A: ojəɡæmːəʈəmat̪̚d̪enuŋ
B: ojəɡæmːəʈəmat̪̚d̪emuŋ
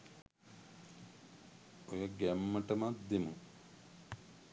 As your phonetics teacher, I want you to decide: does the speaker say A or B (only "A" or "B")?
B